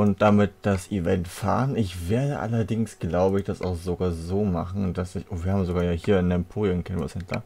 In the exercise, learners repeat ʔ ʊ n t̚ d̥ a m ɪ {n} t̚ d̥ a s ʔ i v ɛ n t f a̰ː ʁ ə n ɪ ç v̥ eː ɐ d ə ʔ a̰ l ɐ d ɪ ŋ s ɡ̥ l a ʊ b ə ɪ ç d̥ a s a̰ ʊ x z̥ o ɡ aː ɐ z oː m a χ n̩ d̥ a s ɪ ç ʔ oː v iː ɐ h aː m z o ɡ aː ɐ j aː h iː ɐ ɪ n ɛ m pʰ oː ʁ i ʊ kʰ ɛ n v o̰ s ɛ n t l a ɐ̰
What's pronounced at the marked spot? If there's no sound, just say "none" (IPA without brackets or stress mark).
none